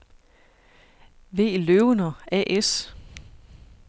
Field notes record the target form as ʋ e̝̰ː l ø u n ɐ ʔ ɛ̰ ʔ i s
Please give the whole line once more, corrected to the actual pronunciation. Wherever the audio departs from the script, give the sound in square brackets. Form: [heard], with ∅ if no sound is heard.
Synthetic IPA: ʋ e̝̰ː l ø [ʊ] n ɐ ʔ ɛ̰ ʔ [e] s